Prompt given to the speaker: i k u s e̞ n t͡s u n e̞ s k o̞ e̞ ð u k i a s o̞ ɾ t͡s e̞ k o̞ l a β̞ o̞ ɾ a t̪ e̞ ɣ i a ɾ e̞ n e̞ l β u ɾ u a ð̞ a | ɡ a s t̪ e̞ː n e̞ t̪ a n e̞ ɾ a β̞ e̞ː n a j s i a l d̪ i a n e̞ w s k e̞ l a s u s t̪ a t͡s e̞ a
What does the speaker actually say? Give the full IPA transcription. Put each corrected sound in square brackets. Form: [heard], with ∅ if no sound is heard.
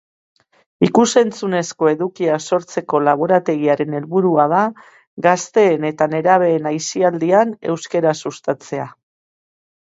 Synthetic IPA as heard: i k u s e̞ n t͡s u n e̞ s k o̞ e̞ ð u k i a s o̞ ɾ t͡s e̞ k o̞ l a β̞ o̞ ɾ a t̪ e̞ ɣ i a ɾ e̞ n e̞ l β u ɾ u a ð̞ a | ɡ a s t̪ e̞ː n e̞ t̪ a n e̞ ɾ a β̞ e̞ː n a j s i a l d̪ i a n e̞ w s k e̞ [ɾ] a s u s t̪ a t͡s e̞ a